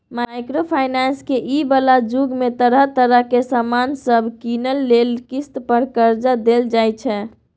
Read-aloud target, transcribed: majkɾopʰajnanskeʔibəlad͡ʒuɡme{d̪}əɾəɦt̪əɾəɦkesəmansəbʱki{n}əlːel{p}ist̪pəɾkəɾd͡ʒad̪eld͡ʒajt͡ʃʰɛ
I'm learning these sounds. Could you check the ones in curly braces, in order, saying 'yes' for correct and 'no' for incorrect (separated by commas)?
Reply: no, yes, no